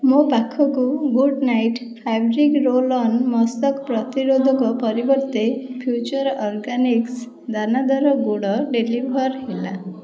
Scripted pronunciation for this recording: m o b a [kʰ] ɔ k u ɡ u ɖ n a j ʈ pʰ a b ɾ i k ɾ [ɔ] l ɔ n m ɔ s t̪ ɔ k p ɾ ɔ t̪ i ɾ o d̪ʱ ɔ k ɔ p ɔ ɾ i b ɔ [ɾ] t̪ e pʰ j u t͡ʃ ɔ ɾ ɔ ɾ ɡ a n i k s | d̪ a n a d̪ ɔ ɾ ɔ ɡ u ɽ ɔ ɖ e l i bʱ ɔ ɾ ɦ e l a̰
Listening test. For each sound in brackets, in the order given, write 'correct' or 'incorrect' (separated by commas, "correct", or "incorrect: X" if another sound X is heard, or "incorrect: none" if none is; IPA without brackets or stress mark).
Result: correct, incorrect: o, correct